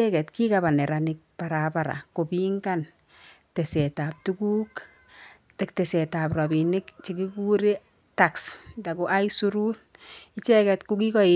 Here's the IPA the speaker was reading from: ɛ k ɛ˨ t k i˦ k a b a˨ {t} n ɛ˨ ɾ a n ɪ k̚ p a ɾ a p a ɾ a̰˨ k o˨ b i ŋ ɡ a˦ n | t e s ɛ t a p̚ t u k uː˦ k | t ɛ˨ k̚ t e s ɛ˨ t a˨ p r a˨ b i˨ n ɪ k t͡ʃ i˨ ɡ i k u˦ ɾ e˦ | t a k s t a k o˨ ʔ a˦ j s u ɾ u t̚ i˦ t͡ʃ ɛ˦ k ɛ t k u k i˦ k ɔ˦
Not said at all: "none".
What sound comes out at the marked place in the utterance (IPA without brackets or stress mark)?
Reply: none